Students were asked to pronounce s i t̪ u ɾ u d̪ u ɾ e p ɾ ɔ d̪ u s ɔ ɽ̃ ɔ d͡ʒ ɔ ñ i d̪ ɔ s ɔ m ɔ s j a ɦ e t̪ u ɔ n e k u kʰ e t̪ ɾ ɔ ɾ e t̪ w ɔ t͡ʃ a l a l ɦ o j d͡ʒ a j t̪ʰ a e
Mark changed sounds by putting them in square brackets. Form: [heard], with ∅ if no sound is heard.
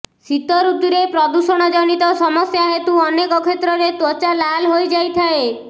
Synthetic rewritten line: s i t̪ [ɔ] ɾ u d̪ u ɾ e p ɾ ɔ d̪ u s ɔ ɽ̃ ɔ d͡ʒ ɔ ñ i [t̪] ɔ s ɔ m ɔ s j a ɦ e t̪ u ɔ n e k [ɔ] kʰ e t̪ ɾ ɔ ɾ e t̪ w ɔ t͡ʃ a l a l ɦ o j d͡ʒ a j t̪ʰ a e